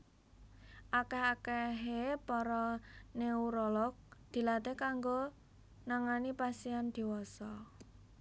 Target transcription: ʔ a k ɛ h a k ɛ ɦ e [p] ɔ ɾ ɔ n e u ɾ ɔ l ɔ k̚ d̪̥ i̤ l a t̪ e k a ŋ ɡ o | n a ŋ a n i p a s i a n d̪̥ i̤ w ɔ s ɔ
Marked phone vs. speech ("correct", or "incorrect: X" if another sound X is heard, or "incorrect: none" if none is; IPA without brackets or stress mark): correct